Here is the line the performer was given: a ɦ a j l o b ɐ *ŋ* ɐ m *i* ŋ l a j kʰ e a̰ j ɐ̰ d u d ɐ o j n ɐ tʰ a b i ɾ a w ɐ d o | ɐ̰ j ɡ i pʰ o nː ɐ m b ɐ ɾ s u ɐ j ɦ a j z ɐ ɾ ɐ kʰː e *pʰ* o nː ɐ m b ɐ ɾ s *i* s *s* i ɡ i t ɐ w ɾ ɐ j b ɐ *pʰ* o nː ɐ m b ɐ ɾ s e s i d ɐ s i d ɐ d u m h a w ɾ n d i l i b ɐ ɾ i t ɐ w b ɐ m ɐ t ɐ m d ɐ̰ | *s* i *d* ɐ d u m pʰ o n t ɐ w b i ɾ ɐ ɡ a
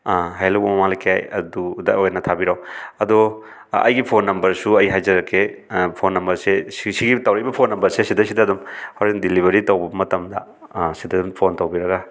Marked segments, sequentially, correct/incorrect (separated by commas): incorrect, incorrect, correct, incorrect, correct, correct, correct, correct